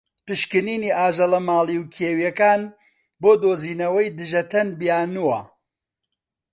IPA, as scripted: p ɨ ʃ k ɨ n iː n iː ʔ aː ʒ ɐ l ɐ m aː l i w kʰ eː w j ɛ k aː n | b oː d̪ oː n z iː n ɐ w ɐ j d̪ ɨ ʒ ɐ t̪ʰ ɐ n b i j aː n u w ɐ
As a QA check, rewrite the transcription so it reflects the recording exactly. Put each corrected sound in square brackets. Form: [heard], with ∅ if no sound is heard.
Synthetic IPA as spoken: p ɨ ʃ k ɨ n iː n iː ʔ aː ʒ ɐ l ɐ m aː l i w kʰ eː w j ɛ k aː n | b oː d̪ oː [∅] z iː n ɐ w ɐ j d̪ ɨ ʒ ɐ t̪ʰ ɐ n b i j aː n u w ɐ